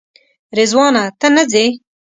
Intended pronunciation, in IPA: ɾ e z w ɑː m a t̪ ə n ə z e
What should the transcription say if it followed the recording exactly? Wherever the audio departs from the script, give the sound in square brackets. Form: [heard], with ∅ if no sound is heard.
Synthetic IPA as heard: ɾ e z w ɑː [n] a t̪ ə n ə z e